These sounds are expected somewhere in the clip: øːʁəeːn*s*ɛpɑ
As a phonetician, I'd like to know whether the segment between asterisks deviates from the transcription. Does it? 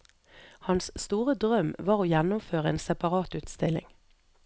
no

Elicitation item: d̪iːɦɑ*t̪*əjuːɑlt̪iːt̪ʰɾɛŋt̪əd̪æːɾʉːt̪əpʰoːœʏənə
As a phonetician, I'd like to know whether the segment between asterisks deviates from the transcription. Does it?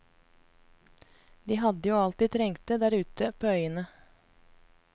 yes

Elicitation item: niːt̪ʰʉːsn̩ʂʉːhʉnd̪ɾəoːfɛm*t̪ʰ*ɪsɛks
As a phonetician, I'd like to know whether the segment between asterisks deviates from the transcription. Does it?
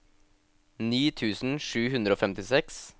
yes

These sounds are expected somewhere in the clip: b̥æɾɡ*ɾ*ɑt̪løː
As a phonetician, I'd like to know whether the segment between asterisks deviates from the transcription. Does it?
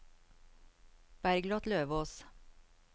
yes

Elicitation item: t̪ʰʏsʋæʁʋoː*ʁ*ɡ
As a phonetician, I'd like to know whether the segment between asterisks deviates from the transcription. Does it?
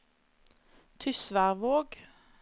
yes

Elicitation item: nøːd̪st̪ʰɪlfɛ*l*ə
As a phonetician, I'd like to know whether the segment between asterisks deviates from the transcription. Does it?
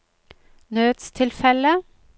no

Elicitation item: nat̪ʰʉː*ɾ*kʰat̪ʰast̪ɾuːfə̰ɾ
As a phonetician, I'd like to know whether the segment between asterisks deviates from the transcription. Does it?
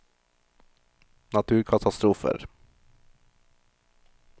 no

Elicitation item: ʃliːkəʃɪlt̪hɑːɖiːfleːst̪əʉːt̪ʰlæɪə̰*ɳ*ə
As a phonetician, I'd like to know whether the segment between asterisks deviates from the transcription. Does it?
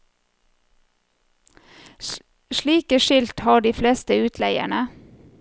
no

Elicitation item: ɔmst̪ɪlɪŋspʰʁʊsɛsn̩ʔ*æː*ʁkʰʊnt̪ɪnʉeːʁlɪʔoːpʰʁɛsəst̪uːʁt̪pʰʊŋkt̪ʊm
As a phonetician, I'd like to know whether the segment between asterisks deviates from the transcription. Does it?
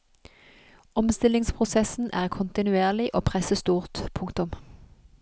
no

